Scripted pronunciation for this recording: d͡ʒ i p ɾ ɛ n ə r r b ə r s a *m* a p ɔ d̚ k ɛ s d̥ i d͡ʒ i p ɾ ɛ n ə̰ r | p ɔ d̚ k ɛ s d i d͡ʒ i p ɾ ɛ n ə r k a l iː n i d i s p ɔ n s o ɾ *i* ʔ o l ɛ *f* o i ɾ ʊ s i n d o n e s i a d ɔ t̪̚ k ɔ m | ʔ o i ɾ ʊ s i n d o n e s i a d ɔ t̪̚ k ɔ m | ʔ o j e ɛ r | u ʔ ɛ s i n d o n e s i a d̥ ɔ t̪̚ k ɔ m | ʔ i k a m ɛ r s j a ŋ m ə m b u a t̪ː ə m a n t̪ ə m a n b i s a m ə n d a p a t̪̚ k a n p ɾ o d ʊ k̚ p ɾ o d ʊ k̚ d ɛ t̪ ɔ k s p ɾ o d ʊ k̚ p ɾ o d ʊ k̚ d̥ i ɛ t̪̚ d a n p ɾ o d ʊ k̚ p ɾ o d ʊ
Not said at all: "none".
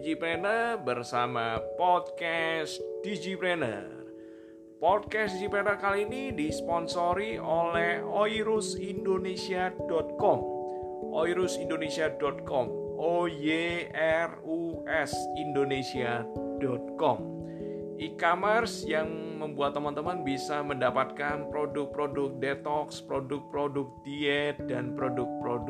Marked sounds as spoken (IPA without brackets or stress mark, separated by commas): m, i, h